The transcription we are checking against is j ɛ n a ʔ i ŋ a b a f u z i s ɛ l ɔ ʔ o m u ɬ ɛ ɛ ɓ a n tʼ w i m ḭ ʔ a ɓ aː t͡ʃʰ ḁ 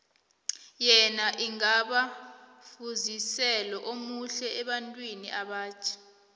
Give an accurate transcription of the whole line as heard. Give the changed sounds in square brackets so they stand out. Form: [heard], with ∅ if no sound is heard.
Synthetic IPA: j ɛ n a ʔ i ŋ a [ɓ] a f u z i s ɛ l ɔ ʔ o m u ɬ ɛ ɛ ɓ a n tʼ w i [n] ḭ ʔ a ɓ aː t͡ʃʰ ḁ